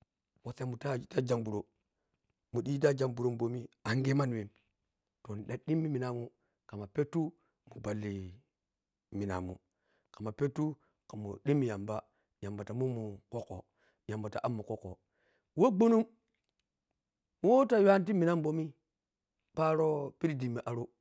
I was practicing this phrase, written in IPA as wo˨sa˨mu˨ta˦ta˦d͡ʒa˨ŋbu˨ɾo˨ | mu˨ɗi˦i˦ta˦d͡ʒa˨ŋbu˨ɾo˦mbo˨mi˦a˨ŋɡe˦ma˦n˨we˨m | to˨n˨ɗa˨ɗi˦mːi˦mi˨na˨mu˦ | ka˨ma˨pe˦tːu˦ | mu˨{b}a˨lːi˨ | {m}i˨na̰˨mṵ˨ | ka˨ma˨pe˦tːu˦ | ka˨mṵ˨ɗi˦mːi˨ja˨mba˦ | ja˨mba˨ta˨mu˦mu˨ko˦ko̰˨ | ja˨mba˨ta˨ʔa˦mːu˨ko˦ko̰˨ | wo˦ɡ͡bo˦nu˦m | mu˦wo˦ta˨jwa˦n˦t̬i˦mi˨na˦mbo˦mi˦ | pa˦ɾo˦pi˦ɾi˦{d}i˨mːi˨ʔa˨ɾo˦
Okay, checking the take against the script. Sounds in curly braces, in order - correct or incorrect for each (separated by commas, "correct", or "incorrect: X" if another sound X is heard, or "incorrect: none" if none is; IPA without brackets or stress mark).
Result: correct, correct, correct